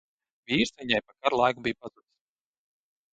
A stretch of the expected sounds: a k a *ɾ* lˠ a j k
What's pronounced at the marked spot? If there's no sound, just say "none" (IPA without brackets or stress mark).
ɾ